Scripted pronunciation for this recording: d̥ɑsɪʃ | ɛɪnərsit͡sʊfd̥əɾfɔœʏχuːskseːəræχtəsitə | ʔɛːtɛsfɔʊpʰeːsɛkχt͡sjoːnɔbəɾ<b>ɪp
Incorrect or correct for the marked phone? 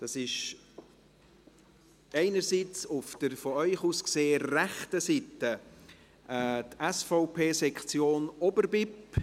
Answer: correct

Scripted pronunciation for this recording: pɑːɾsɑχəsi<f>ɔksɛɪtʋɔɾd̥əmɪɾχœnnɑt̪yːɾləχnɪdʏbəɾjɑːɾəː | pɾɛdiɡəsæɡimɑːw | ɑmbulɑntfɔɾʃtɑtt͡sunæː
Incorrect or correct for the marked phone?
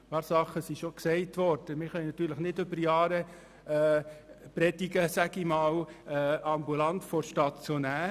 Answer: incorrect: ʃ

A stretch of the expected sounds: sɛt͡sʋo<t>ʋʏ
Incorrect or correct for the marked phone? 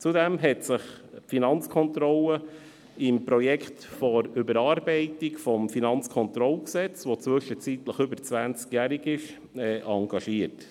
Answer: incorrect: t͡s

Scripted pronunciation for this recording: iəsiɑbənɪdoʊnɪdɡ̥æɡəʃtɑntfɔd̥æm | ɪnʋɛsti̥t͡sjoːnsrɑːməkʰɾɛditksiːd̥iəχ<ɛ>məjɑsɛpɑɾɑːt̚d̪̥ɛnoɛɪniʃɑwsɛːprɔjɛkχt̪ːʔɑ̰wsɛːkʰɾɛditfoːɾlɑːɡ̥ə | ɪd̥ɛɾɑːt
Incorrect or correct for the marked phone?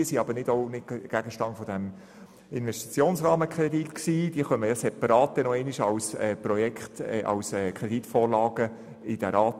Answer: incorrect: œ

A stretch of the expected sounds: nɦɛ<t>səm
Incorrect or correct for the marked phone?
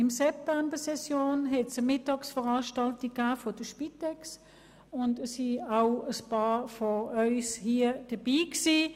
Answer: correct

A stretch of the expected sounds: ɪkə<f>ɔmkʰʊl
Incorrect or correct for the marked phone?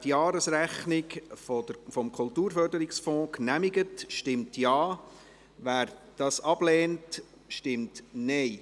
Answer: correct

